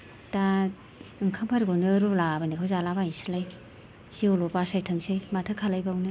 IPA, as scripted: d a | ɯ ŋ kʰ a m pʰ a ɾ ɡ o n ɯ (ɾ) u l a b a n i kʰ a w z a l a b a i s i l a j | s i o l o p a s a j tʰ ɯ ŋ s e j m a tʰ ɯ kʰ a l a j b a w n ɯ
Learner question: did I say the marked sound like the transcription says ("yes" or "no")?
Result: yes